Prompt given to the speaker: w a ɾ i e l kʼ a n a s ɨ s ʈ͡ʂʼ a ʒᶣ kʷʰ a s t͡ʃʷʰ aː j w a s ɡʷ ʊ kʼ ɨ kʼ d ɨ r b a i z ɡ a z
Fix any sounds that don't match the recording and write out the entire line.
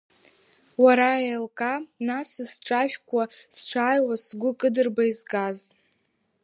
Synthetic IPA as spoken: w a ɾ a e l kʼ a n a s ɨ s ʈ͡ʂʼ a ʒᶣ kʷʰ a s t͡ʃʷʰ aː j w a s ɡʷ ʊ kʼ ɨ d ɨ r b a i z ɡ a z